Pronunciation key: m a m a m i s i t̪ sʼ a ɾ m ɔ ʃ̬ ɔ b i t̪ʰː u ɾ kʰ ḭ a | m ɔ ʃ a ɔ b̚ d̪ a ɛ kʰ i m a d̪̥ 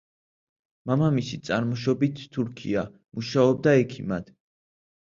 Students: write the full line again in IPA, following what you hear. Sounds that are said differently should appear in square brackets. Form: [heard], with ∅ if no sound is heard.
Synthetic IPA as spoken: m a m a m i s i t̪ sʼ a ɾ m ɔ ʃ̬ ɔ b i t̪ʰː u ɾ kʰ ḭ a | m [u] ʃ a ɔ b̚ d̪ a ɛ kʰ i m a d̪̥

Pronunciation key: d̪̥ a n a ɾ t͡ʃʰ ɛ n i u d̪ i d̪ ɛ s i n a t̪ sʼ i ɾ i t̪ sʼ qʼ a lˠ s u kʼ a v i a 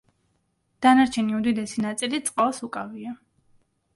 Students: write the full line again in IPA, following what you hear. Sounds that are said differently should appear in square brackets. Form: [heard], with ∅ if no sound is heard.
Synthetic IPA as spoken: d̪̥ a n a ɾ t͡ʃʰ ɛ n i u d̪ i d̪ ɛ s i n a t̪ sʼ i [l] i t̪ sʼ qʼ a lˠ s u kʼ a v i a

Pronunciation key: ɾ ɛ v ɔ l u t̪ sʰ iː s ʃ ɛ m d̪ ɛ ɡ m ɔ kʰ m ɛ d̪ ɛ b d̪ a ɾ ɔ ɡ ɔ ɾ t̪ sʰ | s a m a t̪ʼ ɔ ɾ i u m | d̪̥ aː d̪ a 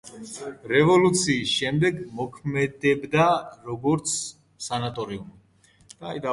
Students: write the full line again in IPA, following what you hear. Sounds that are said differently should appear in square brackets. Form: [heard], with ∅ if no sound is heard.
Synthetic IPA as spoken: ɾ ɛ v ɔ l u t̪ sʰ iː s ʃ ɛ m d̪ ɛ ɡ m ɔ kʰ m ɛ d̪ ɛ b d̪ a ɾ ɔ ɡ ɔ ɾ t̪ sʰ | s a [n] a t̪ʼ ɔ ɾ i u m | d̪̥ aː d̪ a

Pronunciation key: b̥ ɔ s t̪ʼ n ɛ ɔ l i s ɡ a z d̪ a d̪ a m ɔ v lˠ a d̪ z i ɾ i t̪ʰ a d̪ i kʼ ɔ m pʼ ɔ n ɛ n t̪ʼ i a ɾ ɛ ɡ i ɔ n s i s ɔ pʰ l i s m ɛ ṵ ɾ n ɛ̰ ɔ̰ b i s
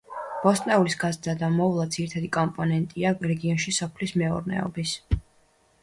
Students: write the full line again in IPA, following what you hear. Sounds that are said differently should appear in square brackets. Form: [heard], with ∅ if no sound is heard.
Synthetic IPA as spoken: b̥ ɔ s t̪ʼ n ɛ [u] l i s ɡ a z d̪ a d̪ a m ɔ v lˠ a d̪ z i ɾ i t̪ʰ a d̪ i kʼ ɔ m pʼ ɔ n ɛ n t̪ʼ i a ɾ ɛ ɡ i ɔ n [ʃ] i s ɔ pʰ l i s m ɛ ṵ ɾ n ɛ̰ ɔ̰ b i s

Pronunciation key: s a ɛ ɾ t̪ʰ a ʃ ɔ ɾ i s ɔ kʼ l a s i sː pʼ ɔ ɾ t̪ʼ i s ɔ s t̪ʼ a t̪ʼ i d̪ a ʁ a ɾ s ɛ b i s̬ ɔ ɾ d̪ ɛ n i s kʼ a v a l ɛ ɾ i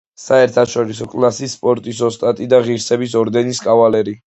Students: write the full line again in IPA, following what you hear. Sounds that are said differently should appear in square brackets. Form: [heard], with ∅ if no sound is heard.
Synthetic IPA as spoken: s a ɛ ɾ t̪ʰ a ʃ ɔ ɾ i s ɔ kʼ l a s i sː pʼ ɔ ɾ t̪ʼ i s ɔ s t̪ʼ a t̪ʼ i d̪ a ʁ [i] ɾ s ɛ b i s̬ ɔ ɾ d̪ ɛ n i s kʼ a v a l ɛ ɾ i

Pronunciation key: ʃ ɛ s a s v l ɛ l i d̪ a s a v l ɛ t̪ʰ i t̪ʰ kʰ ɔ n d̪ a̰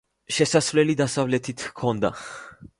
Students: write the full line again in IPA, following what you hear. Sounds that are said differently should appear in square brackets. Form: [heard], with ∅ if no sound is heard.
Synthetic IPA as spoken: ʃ ɛ s a s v l ɛ l i d̪ a s a v l ɛ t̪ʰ i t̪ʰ kʰ ɔ n d̪ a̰

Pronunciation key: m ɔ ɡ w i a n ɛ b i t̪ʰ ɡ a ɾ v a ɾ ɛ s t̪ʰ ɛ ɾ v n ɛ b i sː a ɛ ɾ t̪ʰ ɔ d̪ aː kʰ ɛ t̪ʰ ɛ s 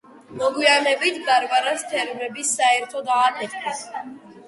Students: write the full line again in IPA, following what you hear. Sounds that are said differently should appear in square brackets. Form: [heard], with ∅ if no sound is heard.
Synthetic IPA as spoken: m ɔ ɡ w i a n ɛ b i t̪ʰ ɡ a ɾ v a ɾ [a] s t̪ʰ ɛ ɾ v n ɛ b i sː a ɛ ɾ t̪ʰ ɔ d̪ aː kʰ ɛ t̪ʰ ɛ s

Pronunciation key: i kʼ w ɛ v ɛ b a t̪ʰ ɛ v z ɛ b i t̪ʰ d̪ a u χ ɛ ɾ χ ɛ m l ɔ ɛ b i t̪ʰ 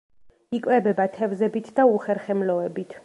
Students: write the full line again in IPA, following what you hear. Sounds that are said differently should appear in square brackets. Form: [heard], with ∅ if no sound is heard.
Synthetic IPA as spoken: i kʼ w ɛ [b] ɛ b a t̪ʰ ɛ v z ɛ b i t̪ʰ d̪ a u χ ɛ ɾ χ ɛ m l ɔ ɛ b i t̪ʰ

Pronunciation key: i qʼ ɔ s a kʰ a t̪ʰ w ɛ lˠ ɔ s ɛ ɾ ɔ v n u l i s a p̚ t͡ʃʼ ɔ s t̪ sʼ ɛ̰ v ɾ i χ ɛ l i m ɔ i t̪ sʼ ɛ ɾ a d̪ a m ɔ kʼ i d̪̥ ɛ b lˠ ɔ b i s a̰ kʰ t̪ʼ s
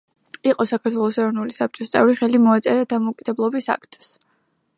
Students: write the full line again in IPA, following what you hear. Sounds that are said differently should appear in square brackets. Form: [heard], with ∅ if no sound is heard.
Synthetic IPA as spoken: i qʼ ɔ s a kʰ a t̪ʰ w ɛ lˠ ɔ s ɛ ɾ ɔ v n u l i s a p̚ t͡ʃʼ ɔ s t̪ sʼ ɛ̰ v ɾ i χ ɛ l i m ɔ [a] t̪ sʼ ɛ ɾ a d̪ a m ɔ kʼ i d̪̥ ɛ b lˠ ɔ b i s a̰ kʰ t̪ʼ s

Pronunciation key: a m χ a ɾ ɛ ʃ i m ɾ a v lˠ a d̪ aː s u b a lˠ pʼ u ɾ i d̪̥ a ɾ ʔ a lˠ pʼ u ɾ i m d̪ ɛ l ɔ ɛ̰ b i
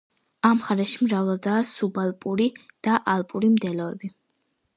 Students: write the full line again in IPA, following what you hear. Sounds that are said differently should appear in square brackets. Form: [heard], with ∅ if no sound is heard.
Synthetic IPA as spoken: a m χ a ɾ ɛ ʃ i m ɾ a v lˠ a d̪ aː s u b a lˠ pʼ u ɾ i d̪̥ a [∅] ʔ a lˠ pʼ u ɾ i m d̪ ɛ l ɔ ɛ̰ b i

